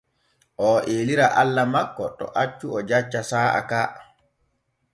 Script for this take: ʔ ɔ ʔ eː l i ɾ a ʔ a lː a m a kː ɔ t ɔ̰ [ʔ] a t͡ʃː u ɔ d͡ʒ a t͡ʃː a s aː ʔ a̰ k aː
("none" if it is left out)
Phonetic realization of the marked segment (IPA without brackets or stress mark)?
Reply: ʔ